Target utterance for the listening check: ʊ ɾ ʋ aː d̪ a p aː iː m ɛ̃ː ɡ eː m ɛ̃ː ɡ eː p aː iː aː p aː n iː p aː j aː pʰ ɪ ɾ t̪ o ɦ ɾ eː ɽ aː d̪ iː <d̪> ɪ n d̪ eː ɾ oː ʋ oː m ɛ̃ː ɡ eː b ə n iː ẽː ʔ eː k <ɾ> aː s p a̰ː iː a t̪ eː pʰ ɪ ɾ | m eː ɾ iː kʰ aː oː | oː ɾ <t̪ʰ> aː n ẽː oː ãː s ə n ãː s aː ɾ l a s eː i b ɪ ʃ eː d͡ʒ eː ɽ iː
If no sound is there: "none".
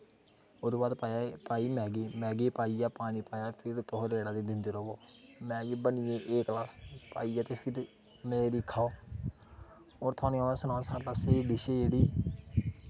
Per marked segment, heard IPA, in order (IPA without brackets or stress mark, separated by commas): d̪, l, t̪ʰ